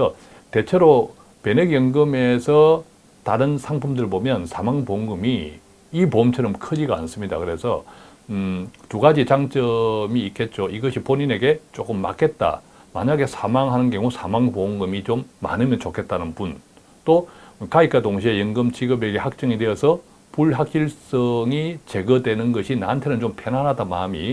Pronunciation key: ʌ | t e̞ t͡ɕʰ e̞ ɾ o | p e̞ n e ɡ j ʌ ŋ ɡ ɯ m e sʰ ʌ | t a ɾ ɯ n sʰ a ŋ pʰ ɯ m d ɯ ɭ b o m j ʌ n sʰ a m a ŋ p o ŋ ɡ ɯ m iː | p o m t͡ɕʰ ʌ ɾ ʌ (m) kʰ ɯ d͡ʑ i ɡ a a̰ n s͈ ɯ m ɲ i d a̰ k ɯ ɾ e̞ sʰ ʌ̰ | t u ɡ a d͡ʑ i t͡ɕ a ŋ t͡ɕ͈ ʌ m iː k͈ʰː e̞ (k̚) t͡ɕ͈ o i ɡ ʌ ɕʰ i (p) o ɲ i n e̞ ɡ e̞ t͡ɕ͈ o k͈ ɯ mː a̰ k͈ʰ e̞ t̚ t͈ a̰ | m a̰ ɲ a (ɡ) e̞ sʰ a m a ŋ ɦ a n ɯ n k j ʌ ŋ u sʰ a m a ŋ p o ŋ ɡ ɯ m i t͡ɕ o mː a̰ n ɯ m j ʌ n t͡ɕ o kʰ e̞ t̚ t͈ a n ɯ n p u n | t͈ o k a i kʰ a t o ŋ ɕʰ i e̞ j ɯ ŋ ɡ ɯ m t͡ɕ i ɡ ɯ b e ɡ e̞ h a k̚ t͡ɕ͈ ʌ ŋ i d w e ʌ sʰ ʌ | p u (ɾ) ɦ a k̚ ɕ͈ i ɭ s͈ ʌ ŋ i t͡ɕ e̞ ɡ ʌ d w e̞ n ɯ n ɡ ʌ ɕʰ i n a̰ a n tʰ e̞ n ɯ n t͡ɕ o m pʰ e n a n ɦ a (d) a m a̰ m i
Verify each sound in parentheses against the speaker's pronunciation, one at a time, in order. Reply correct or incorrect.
correct, incorrect, correct, correct, incorrect, correct

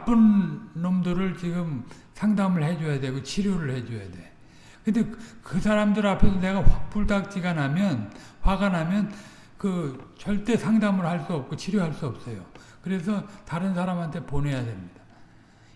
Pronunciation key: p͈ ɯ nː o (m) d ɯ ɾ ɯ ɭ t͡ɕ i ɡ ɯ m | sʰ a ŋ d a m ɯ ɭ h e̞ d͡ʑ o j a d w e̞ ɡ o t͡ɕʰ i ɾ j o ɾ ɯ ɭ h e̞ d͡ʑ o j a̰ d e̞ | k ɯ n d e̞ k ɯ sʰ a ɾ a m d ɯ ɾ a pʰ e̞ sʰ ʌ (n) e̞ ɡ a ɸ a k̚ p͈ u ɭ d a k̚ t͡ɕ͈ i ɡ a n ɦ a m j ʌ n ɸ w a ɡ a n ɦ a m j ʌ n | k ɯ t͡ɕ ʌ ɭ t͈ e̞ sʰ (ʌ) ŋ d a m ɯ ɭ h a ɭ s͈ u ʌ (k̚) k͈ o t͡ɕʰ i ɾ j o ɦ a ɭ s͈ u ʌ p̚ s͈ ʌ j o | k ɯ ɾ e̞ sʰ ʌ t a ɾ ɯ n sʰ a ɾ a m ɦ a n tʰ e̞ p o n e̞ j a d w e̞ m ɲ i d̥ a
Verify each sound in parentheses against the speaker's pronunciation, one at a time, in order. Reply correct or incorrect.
correct, correct, incorrect, incorrect

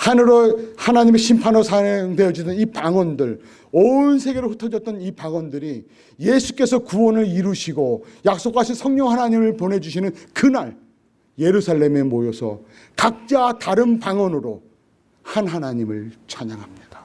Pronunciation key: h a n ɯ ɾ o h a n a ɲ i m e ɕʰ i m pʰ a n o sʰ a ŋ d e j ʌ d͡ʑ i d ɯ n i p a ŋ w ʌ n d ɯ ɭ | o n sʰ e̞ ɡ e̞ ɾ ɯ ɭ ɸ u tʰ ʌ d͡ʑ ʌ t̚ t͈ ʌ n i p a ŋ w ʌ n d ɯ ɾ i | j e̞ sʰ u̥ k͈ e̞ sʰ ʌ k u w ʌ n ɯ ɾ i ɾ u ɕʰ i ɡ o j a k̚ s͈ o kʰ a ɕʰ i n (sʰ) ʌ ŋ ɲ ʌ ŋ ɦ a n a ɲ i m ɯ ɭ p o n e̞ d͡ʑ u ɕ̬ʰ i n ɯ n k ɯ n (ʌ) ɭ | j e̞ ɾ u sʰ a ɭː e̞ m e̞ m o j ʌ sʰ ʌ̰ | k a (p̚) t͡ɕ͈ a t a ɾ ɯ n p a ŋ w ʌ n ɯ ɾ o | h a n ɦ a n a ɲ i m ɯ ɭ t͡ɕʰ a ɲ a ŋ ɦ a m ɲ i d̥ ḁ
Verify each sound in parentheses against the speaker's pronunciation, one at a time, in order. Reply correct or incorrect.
correct, incorrect, incorrect

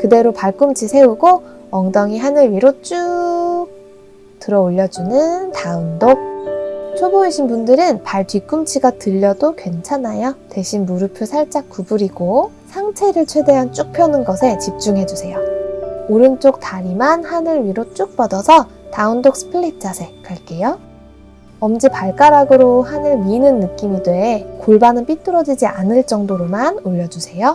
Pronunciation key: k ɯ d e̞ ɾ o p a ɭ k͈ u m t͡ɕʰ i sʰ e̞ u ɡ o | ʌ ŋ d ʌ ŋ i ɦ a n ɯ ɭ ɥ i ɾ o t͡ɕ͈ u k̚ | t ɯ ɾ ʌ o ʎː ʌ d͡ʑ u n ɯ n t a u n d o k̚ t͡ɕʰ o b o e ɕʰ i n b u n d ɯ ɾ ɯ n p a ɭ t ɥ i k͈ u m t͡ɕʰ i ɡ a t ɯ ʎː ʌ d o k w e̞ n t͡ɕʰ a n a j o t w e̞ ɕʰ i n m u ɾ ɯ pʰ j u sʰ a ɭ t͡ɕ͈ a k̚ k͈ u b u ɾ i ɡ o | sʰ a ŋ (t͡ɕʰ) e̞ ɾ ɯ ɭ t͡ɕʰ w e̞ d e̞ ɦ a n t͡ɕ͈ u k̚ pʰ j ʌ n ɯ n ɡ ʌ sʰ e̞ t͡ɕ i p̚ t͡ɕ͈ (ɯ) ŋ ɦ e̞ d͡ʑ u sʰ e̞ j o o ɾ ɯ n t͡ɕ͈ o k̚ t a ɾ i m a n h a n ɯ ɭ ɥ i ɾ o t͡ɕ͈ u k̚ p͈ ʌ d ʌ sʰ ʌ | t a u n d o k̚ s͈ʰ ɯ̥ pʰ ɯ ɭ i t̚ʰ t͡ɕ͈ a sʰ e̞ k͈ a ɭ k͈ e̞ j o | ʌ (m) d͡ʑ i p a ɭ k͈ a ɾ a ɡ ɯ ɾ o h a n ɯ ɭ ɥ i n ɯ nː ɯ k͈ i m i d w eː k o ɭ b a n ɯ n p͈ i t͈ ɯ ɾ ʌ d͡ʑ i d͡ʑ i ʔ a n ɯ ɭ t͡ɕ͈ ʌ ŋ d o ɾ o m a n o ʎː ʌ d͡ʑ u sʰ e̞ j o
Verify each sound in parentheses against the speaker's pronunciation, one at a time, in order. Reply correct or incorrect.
correct, incorrect, correct

